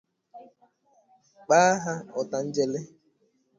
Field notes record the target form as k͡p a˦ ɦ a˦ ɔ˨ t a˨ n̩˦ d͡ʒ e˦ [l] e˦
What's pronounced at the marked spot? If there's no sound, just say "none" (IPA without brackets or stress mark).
l